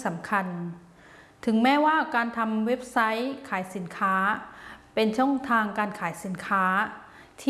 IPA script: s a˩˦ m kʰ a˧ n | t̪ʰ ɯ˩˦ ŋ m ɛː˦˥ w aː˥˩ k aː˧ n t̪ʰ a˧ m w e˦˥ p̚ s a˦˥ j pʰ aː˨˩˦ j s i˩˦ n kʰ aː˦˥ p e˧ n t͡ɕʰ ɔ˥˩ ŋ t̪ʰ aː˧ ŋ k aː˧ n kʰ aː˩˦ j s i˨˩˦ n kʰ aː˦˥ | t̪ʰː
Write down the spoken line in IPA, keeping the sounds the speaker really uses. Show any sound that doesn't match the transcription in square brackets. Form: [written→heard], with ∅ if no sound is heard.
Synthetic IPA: s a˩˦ m kʰ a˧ n | t̪ʰ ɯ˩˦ ŋ m ɛː˦˥ w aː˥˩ k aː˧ n t̪ʰ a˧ m w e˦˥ p̚ s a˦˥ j [pʰ→kʰ] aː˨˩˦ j s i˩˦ n kʰ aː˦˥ p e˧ n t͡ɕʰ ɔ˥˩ ŋ t̪ʰ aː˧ ŋ k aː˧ n kʰ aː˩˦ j s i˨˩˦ n kʰ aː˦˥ | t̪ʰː